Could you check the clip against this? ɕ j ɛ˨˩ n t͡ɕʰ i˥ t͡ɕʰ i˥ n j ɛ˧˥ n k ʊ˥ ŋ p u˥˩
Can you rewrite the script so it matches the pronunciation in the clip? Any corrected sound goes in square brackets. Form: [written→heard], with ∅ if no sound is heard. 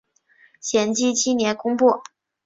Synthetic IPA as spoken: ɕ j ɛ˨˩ n [t͡ɕʰ→t͡ɕ] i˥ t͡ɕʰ i˥ n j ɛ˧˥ n k ʊ˥ ŋ p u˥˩